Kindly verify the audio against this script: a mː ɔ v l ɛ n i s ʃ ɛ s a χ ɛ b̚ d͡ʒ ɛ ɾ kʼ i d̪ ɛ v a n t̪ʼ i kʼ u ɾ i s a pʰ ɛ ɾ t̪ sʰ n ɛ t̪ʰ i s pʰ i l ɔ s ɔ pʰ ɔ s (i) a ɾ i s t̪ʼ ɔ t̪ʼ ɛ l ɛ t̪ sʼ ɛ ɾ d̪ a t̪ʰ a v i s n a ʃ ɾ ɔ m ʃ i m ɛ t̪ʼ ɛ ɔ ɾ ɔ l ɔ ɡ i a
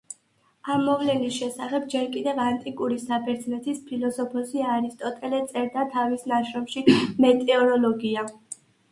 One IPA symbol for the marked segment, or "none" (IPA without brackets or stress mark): i